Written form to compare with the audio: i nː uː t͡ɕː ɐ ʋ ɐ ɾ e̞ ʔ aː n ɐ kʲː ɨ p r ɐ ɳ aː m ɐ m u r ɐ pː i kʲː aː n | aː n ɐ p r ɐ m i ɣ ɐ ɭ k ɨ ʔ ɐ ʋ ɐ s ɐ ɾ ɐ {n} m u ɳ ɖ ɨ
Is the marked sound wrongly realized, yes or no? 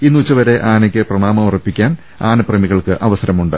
yes